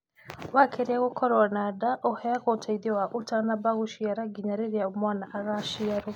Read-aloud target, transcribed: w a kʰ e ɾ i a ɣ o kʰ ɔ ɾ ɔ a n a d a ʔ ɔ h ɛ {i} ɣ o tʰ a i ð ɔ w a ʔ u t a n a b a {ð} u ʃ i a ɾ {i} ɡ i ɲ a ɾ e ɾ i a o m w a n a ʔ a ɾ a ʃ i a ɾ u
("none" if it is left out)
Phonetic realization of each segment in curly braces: a, ɣ, a

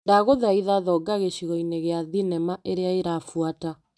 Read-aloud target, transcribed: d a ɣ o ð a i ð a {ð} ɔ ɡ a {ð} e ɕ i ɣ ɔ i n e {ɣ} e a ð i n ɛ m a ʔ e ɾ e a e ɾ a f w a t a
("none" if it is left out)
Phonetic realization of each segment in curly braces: ð, ɣ, ɣ

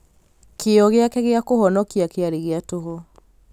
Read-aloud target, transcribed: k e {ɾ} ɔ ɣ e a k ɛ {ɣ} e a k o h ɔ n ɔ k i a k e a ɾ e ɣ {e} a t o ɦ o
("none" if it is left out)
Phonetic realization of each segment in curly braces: none, ɣ, e

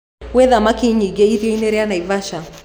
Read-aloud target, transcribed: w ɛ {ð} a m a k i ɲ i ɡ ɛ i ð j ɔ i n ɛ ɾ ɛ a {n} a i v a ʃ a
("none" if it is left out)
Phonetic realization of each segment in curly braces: ð, n

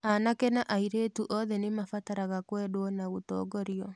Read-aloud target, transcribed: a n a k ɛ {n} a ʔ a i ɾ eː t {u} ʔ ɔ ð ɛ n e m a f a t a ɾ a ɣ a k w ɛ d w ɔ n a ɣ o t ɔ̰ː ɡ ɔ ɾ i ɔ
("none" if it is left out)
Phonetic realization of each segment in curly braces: n, u

